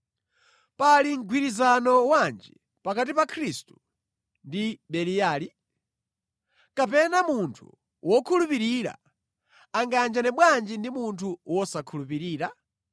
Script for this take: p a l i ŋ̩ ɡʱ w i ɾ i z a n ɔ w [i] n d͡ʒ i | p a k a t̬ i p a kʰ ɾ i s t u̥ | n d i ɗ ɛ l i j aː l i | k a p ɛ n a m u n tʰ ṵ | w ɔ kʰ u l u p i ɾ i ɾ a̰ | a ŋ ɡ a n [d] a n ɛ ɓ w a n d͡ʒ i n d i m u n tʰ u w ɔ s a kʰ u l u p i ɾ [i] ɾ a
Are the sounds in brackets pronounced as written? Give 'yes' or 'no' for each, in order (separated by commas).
no, no, no